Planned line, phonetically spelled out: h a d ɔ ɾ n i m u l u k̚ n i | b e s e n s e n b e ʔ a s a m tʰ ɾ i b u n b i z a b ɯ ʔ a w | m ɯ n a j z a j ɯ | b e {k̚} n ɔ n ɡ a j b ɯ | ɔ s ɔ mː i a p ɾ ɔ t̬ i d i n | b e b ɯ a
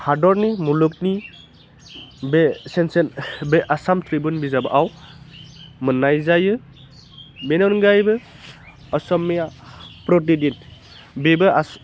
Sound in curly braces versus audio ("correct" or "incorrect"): incorrect